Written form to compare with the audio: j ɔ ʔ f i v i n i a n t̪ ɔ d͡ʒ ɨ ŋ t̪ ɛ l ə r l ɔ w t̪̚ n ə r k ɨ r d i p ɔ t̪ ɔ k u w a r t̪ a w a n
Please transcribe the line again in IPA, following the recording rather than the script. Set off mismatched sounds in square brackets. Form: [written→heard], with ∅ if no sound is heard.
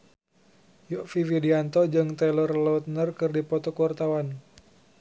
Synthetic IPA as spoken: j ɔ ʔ f i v i [n→d] i a n t̪ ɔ d͡ʒ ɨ ŋ t̪ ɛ l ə r l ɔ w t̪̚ n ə r k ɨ r d i p ɔ t̪ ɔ k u w a r t̪ a w a n